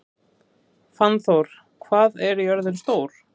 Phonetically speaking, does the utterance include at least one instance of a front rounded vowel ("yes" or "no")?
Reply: yes